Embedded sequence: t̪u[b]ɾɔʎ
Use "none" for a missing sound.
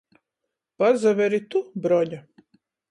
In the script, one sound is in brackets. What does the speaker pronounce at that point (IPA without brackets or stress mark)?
b